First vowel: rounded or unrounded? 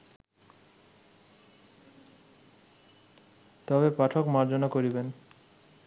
rounded